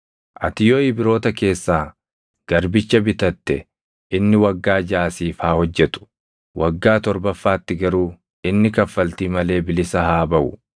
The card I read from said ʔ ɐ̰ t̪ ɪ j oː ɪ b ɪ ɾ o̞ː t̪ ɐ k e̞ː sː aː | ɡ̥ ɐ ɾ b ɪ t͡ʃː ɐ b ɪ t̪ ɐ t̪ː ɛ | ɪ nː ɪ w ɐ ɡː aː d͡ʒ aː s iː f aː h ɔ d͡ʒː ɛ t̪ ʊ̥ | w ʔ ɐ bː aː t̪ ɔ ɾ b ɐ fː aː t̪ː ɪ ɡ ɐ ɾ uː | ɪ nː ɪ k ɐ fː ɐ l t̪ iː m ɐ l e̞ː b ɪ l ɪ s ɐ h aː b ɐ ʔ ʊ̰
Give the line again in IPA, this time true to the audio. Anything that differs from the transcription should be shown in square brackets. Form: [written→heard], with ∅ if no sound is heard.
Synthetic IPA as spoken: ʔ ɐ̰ t̪ ɪ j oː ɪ b ɪ ɾ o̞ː t̪ ɐ k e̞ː sː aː | ɡ̥ ɐ ɾ b ɪ t͡ʃː ɐ b ɪ t̪ ɐ t̪ː ɛ | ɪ nː ɪ w ɐ ɡː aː d͡ʒ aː s iː f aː h ɔ d͡ʒː ɛ t̪ ʊ̥ | w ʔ ɐ [bː→ɡː] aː t̪ ɔ ɾ b ɐ fː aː t̪ː ɪ ɡ ɐ ɾ uː | ɪ nː ɪ k ɐ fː ɐ l t̪ iː m ɐ l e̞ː b ɪ l ɪ s ɐ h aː b ɐ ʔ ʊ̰